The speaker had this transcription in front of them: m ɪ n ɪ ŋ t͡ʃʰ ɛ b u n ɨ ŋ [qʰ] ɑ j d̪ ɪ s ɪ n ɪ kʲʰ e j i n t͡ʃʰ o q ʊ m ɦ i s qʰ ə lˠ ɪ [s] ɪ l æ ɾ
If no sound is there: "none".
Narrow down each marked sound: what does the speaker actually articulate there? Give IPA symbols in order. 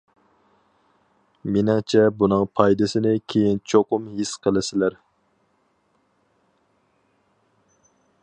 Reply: pʰ, s

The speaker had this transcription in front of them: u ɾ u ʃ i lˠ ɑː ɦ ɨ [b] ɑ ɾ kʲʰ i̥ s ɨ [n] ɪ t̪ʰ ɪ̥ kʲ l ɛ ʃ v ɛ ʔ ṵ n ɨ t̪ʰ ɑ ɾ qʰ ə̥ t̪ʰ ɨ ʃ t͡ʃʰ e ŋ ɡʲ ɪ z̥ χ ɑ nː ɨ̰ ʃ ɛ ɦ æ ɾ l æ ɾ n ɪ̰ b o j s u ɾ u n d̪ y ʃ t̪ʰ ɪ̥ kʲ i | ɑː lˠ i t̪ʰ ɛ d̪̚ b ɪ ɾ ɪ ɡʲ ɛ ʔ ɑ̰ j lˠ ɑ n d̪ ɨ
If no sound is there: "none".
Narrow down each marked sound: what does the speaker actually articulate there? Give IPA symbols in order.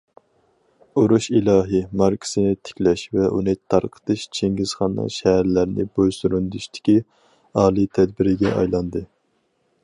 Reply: m, n

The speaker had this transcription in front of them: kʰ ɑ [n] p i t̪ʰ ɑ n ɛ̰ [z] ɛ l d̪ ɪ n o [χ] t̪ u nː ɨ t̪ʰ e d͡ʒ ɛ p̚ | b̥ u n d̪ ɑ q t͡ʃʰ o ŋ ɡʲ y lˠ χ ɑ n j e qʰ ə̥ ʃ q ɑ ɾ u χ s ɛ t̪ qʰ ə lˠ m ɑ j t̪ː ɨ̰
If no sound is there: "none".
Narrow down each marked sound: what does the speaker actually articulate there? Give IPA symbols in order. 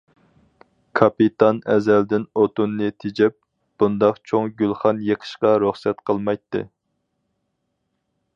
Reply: none, z, none

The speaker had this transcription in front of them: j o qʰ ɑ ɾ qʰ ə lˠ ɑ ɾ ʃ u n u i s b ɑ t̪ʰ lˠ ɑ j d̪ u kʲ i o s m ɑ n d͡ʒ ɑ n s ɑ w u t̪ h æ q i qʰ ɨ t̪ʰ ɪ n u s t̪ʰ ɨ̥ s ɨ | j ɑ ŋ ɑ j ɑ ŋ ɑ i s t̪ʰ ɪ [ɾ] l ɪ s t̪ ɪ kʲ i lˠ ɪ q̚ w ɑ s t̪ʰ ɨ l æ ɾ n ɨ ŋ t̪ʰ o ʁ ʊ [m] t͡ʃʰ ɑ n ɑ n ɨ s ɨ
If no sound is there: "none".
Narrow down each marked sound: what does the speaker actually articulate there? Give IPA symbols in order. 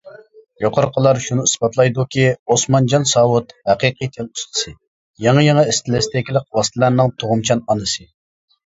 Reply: none, m

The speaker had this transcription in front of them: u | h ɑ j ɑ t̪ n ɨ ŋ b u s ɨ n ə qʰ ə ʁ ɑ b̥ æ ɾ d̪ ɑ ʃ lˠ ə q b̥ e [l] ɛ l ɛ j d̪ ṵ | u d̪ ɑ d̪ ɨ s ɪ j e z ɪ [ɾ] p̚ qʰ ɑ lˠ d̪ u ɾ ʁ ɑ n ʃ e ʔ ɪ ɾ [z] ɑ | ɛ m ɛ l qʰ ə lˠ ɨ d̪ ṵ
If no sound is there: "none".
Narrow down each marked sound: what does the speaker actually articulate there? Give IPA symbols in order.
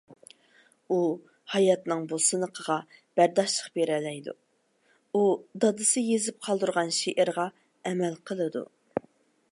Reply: ɾ, none, ʁ

